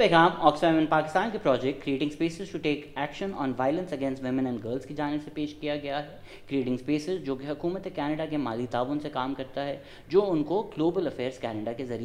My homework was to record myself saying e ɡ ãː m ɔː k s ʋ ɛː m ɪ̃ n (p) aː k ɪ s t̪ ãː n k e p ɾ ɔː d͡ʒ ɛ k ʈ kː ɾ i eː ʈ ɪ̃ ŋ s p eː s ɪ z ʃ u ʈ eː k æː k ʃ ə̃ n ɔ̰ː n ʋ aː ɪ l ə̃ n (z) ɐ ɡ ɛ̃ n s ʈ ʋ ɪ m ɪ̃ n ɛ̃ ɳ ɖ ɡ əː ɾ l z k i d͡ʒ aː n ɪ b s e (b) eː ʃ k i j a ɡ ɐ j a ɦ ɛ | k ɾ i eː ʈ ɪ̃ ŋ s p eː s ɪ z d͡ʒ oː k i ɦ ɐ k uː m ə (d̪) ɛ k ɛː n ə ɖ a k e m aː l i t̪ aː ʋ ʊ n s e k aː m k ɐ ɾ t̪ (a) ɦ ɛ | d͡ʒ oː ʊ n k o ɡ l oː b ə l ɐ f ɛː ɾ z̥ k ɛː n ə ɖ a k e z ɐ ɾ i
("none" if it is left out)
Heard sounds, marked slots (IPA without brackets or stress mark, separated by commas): p, s, p, t̪, a